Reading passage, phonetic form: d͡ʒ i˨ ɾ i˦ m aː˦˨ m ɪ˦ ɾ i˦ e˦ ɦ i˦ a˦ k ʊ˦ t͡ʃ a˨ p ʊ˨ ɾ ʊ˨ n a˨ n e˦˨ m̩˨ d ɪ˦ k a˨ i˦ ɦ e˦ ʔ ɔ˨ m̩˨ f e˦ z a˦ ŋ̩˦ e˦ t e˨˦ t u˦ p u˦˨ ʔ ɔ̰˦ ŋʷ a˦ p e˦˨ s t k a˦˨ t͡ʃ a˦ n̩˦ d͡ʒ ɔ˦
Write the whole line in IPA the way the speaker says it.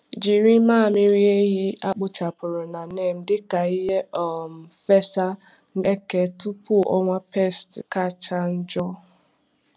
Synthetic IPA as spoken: d͡ʒ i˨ ɾ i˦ m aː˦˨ m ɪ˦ ɾ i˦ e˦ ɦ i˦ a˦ k͡p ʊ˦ t͡ʃ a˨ p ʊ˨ ɾ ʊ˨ n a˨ n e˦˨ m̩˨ d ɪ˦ k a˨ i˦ ɦ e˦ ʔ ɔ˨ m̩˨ f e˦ s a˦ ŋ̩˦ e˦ k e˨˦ t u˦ p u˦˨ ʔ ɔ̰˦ ŋʷ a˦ p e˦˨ s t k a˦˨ t͡ʃ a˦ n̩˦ d͡ʒ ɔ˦